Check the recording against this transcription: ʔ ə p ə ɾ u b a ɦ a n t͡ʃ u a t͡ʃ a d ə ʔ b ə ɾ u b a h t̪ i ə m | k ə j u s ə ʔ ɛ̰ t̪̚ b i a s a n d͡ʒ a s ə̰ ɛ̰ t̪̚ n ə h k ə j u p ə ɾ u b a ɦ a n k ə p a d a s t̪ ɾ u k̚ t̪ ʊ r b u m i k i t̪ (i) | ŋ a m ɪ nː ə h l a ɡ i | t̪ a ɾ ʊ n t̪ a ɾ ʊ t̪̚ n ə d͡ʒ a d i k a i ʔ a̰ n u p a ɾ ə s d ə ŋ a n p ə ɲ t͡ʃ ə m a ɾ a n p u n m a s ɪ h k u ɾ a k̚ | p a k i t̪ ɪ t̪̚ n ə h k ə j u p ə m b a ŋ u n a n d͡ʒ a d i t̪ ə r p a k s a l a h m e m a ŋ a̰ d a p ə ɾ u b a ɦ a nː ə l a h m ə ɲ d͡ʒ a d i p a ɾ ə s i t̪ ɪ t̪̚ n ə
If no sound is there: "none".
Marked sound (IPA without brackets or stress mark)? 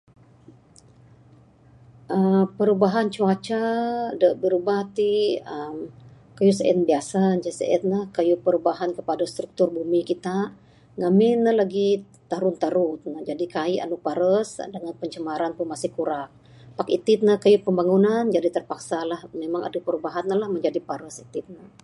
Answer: a